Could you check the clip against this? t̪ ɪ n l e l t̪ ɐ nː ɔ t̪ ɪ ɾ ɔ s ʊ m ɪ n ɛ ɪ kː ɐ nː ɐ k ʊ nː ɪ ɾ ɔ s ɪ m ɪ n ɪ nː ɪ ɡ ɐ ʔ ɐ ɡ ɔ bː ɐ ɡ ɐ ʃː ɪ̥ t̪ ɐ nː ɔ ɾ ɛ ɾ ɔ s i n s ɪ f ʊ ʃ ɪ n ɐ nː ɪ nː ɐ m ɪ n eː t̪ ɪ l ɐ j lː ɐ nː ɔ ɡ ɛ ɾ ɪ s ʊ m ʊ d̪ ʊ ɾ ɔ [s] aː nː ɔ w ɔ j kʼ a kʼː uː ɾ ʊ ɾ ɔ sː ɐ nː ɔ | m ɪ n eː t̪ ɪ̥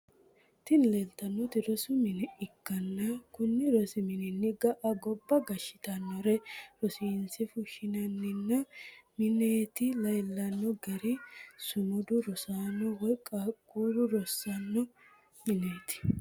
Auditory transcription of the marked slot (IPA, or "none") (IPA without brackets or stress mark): s